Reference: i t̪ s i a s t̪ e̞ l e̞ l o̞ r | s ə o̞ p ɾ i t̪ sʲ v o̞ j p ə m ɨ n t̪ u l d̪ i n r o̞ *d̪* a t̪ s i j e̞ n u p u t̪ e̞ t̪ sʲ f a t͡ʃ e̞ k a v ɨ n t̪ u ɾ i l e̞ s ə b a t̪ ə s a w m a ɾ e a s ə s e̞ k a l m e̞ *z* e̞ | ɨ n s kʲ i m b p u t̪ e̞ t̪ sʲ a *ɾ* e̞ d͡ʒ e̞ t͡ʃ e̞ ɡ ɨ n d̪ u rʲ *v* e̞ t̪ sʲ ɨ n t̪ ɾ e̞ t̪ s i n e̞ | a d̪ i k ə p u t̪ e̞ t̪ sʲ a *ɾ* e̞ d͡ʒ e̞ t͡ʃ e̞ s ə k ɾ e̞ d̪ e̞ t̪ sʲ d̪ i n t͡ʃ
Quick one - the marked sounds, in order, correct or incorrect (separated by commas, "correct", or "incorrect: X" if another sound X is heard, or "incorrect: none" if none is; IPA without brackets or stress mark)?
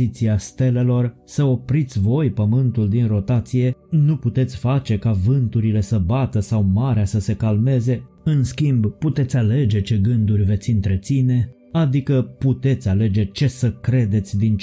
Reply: incorrect: t̪, correct, incorrect: l, correct, incorrect: l